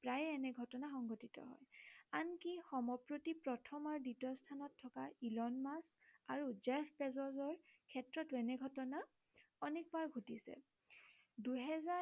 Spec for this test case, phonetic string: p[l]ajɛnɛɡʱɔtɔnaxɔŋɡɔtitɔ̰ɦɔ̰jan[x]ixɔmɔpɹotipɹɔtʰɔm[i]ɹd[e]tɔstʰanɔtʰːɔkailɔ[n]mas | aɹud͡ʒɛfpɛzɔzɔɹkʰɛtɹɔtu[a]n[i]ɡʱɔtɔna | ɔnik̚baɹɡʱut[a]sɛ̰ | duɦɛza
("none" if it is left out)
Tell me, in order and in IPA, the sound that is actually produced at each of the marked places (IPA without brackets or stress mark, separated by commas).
ɹ, k, a, i, n, ɛ, ɛ, i